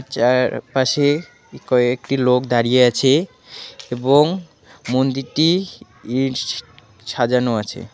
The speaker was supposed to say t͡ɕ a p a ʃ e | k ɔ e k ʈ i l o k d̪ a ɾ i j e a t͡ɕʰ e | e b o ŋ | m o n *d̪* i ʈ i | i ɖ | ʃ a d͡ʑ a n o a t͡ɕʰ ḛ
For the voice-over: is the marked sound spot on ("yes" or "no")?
yes